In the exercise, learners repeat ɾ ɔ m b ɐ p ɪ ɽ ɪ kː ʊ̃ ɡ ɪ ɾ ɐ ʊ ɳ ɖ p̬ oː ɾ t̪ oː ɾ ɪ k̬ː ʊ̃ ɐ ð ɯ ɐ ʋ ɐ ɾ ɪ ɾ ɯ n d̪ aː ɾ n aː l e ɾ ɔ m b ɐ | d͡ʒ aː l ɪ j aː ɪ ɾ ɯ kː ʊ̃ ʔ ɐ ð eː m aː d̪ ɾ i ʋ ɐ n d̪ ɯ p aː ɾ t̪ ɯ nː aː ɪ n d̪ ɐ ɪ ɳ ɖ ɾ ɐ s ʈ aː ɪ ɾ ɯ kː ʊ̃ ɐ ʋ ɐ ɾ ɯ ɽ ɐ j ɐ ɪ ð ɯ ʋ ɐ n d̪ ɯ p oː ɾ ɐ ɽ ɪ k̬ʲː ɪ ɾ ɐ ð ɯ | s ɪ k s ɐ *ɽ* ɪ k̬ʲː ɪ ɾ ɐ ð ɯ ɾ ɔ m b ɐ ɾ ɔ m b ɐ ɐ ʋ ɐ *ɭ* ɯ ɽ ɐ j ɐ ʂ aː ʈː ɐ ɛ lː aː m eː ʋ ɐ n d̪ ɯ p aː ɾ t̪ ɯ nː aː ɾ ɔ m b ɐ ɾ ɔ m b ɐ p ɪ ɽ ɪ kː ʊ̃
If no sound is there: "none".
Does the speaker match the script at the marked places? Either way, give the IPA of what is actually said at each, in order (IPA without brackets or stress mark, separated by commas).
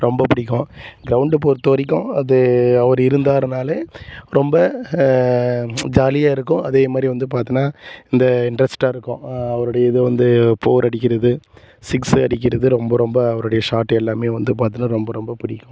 ɽ, ɾ